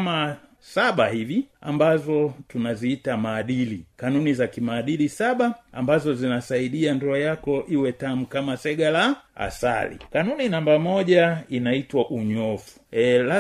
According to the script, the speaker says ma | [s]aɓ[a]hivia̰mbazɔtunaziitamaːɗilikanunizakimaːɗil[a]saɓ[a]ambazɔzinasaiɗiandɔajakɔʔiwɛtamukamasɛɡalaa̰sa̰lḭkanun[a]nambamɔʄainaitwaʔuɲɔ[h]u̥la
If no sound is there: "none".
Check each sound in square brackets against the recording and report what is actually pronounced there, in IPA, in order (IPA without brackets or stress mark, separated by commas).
s, a, i, a, i, f